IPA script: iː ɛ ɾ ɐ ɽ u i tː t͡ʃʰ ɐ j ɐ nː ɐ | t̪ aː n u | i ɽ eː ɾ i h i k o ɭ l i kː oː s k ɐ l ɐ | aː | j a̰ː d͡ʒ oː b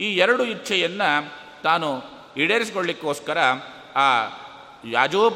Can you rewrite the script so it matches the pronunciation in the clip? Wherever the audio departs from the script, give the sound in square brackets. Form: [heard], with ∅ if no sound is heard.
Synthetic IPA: iː ɛ ɾ ɐ ɽ u i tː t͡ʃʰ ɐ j ɐ nː ɐ | t̪ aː n u | i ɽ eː ɾ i [s] i k o ɭ l i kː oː s k ɐ [ɾ] ɐ | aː | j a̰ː d͡ʒ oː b